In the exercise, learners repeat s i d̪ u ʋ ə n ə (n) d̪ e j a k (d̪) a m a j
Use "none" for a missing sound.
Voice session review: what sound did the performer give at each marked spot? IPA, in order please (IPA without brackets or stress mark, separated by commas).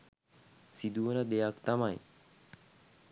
none, t̪